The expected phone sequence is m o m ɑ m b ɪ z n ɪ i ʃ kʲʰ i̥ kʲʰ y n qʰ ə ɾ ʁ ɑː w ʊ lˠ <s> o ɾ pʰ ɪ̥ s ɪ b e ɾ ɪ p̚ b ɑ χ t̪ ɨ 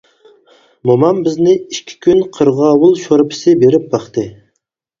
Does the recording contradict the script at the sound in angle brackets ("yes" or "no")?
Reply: yes